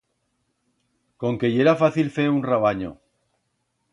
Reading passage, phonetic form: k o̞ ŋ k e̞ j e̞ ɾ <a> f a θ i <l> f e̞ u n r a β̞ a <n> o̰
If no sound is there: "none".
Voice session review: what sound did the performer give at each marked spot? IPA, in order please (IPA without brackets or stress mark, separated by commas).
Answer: a, l, ɲ